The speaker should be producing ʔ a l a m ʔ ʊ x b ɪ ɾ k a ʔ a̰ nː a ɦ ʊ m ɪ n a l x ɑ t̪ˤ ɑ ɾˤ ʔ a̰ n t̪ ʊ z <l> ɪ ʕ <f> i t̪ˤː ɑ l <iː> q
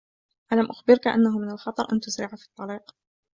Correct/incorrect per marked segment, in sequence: incorrect: ɾ, correct, correct

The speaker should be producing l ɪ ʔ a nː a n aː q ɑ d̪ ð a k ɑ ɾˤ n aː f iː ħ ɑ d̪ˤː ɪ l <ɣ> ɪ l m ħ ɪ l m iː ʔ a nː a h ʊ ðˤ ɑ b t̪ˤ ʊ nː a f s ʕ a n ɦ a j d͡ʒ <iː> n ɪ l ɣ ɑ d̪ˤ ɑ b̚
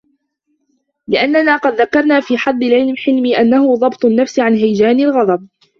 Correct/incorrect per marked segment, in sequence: incorrect: ʕ, incorrect: aː

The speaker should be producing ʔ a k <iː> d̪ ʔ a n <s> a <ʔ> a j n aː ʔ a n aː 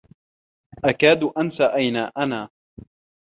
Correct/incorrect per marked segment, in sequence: incorrect: aː, correct, correct

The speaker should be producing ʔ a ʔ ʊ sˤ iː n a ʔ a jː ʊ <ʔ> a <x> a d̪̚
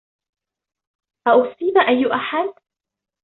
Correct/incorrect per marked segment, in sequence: correct, incorrect: ħ

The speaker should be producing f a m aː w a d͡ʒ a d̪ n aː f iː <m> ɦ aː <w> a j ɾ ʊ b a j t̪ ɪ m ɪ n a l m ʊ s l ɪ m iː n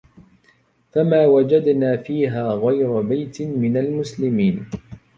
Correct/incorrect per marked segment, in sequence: incorrect: none, incorrect: ɣ

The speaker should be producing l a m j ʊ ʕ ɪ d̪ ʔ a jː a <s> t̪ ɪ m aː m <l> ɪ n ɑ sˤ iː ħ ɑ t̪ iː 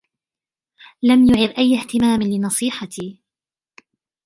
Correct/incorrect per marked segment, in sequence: incorrect: h, correct

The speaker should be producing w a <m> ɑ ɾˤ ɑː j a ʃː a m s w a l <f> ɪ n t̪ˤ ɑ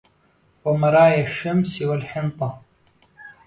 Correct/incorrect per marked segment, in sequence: correct, incorrect: ħ

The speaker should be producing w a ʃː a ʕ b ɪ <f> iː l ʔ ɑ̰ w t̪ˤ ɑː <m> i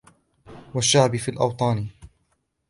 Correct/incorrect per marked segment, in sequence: correct, incorrect: n

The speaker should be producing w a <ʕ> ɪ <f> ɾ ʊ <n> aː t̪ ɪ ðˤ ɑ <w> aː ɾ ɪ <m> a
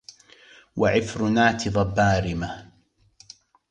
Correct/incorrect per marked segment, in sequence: correct, correct, correct, incorrect: b, correct

